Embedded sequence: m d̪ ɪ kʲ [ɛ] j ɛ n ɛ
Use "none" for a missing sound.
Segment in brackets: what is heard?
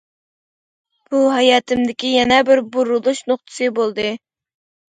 i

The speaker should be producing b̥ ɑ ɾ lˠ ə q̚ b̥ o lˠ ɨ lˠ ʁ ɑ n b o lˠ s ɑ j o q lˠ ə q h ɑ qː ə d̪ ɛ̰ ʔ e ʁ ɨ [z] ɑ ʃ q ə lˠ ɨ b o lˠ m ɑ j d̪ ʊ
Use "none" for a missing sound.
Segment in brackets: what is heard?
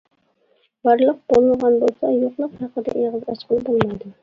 z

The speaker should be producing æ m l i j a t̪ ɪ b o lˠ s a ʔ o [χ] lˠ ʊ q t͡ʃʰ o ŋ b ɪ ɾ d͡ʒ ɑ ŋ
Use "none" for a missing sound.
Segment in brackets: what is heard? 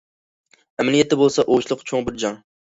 ʃ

